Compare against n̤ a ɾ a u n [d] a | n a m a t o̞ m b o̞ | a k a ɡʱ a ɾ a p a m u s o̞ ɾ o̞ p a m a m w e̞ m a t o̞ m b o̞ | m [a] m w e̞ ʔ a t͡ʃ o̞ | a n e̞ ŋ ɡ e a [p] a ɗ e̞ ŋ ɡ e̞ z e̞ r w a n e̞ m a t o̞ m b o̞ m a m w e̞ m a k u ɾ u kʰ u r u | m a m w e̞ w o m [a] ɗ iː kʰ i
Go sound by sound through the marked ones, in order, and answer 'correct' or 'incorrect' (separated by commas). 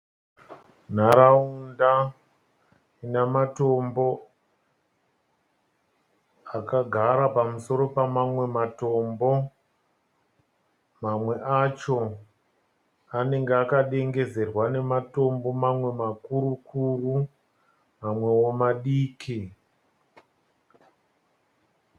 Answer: correct, correct, incorrect, correct